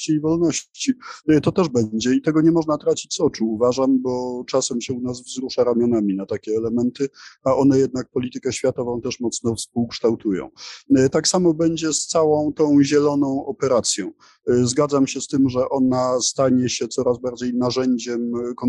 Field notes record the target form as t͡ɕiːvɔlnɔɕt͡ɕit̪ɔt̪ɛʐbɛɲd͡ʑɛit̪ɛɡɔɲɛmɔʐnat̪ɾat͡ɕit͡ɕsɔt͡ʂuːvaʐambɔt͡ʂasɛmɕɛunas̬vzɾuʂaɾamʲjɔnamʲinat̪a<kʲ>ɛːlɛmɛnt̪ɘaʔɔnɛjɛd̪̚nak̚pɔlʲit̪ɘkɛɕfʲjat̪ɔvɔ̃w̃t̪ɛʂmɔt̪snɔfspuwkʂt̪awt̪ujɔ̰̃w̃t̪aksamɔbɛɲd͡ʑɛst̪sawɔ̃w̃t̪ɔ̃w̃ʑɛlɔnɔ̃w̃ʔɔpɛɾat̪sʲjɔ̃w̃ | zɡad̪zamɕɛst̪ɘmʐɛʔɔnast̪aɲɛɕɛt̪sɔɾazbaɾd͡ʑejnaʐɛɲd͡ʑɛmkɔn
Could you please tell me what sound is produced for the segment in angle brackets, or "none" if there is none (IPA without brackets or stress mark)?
kʲ